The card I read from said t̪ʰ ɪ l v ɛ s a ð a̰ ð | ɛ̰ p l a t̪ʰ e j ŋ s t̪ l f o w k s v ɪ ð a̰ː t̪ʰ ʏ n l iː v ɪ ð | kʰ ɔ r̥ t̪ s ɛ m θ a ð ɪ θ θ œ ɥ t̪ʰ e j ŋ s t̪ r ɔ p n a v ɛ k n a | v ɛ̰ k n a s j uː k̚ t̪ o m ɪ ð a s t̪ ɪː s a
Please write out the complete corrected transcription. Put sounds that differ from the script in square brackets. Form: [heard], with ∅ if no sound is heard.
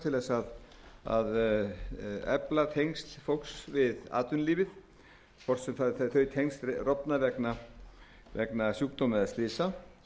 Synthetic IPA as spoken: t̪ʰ ɪ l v ɛ s a ð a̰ ð | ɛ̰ p l a t̪ʰ e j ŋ s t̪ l f o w k s v ɪ ð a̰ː [t̪] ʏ n l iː v ɪ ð | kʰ ɔ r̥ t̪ s ɛ m θ a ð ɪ θ θ œ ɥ t̪ʰ e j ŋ s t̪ r ɔ p n a v ɛ k n a | v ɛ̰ k n a s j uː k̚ t̪ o m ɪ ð a s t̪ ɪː s a